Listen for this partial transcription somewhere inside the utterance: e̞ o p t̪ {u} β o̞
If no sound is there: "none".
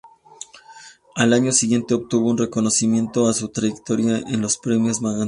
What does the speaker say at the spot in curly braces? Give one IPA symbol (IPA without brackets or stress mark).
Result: u